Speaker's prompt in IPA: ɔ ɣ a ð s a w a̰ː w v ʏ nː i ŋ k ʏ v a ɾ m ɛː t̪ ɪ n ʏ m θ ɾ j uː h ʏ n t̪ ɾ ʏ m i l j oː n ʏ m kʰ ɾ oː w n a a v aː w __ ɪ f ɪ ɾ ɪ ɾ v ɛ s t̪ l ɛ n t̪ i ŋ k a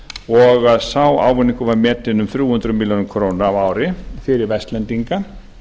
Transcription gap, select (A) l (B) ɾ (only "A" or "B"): B